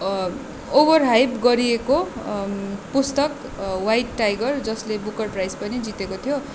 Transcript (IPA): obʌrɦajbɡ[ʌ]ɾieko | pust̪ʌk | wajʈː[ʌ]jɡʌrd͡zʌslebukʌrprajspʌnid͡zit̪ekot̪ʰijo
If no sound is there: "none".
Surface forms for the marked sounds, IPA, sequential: ʌ, a

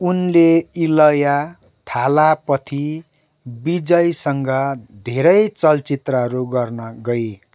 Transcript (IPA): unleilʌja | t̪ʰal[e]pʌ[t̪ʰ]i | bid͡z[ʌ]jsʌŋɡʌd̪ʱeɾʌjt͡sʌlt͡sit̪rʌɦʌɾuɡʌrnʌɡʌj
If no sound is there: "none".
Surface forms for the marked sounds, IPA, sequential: a, t̪ʰ, ʌ

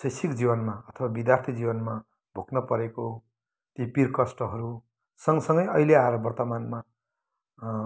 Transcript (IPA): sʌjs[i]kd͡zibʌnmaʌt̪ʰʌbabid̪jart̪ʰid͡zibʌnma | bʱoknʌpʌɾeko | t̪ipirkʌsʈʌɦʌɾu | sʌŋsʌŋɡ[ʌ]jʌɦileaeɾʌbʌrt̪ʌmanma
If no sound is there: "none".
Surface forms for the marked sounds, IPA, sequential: i, ʌ

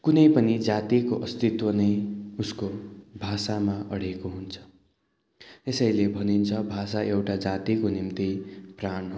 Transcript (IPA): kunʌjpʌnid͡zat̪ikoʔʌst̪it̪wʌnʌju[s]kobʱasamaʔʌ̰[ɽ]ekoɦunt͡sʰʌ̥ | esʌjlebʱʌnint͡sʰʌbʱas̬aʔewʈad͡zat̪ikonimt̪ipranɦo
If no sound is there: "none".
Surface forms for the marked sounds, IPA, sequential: s, ɽ

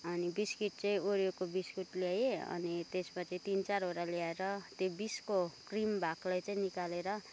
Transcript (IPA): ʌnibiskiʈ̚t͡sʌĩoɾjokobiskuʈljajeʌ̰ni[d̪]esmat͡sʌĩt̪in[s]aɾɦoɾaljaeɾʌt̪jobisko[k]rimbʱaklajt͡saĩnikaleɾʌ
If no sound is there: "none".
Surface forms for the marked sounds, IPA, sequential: t̪, t͡s, k

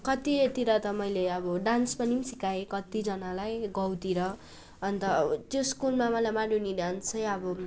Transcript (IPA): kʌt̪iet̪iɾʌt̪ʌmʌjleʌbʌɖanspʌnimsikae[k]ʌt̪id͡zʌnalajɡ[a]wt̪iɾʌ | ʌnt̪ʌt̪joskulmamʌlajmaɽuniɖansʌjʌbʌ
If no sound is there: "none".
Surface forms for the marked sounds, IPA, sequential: k, ʌ

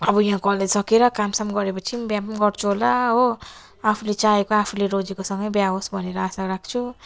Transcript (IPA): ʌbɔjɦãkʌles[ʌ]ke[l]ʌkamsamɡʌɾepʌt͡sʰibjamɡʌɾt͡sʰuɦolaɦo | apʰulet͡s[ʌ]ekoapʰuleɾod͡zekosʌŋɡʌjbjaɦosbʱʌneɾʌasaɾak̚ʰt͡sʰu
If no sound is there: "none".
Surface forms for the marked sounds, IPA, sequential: ʌ, ɾ, a

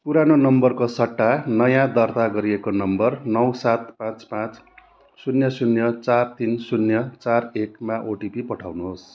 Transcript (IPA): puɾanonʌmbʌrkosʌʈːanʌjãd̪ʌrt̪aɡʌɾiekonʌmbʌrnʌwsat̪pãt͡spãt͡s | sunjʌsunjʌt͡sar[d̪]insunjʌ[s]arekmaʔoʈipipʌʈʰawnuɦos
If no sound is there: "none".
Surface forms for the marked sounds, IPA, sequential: t̪, t͡s

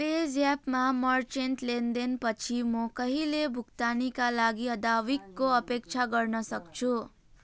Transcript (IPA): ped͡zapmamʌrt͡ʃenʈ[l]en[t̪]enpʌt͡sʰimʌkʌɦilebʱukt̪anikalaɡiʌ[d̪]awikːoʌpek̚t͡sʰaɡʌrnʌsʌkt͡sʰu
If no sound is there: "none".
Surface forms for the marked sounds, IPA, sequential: l, d̪, d̪

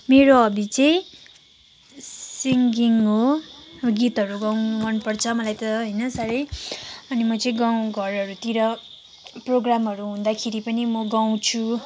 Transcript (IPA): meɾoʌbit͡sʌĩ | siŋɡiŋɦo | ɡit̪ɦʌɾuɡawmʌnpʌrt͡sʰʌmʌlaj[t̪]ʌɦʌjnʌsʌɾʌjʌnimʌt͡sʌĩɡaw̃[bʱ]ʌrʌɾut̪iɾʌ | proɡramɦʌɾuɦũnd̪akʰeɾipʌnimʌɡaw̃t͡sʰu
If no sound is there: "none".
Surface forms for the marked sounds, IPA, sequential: t̪, ɡʱ

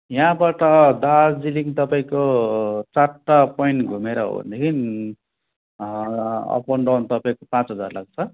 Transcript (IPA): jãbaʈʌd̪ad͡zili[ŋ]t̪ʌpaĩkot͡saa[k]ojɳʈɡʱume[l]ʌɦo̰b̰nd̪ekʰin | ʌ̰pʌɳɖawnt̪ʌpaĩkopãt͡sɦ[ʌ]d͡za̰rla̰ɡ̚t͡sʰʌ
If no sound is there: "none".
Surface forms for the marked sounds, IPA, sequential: ŋ, p, ɾ, ʌ

